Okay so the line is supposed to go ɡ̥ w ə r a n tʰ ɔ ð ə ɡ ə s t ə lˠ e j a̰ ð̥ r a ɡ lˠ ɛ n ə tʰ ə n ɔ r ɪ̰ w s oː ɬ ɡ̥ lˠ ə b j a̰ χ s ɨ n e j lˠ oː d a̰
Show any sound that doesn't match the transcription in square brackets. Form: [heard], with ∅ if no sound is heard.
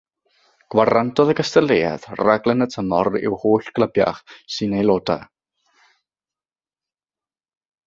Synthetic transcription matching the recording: ɡ̥ w [a] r a n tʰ ɔ ð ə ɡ ə s t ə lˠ e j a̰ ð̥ r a ɡ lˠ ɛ n ə tʰ ə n ɔ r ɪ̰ w [h] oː ɬ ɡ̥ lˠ ə b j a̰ χ s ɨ n e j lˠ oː d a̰